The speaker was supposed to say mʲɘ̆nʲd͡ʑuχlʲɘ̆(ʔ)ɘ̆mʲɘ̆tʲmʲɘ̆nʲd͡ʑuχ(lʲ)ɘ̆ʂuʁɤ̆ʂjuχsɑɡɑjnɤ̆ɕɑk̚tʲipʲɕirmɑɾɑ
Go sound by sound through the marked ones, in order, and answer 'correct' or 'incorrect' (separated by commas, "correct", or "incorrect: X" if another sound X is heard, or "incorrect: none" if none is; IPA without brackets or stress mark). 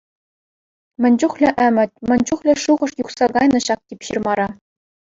correct, correct